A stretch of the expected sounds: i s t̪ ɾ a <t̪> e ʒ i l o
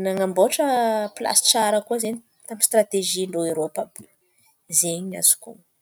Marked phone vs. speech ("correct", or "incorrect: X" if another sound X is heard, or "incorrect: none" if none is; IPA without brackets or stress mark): correct